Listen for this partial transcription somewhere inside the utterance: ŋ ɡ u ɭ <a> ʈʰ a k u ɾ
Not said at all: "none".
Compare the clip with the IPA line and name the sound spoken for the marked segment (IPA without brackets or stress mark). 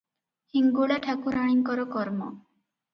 a